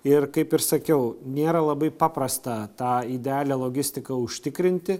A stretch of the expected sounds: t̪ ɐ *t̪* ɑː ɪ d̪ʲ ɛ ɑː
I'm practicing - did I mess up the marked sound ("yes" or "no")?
no